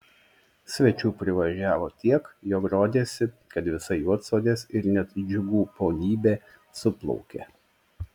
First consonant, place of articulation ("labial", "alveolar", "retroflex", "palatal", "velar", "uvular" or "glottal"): alveolar